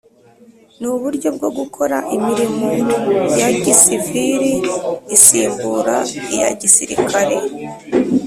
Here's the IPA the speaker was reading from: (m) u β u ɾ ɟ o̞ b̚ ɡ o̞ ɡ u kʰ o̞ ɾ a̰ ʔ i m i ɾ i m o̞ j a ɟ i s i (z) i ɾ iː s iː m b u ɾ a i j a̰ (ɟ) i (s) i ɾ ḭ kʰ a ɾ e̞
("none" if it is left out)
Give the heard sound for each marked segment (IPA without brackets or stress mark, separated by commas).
n, v, ɟ, s